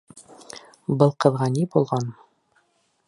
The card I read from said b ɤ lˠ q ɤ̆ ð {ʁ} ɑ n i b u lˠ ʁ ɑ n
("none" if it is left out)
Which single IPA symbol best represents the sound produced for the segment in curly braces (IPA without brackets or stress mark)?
ʁ